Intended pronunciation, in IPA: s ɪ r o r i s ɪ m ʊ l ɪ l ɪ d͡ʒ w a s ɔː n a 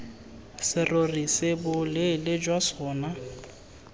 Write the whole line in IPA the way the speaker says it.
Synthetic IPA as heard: s ɪ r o r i s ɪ b ʊ l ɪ l ɪ d͡ʒ w a s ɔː n a